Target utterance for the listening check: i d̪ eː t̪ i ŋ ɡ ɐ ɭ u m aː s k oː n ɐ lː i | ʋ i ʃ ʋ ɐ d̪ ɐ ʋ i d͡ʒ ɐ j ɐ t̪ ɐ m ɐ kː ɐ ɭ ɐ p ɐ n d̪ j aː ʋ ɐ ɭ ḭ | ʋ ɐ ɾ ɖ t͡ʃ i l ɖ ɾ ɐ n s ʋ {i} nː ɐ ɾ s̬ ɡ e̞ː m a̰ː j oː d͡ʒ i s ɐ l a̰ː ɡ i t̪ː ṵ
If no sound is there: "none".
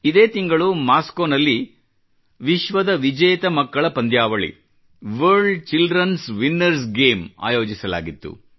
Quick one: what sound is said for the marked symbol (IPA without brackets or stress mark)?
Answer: i